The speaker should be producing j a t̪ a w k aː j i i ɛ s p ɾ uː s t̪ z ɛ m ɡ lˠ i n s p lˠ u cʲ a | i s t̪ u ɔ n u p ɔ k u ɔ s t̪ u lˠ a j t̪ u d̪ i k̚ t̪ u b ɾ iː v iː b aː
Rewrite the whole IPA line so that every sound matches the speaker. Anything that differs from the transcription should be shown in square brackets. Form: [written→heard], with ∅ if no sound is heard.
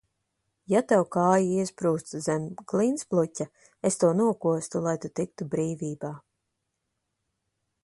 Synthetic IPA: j a t̪ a w k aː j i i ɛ s p ɾ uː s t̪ z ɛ m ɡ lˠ i n s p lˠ u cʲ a | [i→e] s t̪ u ɔ n u [p→∅] ɔ k u ɔ s t̪ u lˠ a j t̪ u [d̪→t̪] i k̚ t̪ u b ɾ iː v iː b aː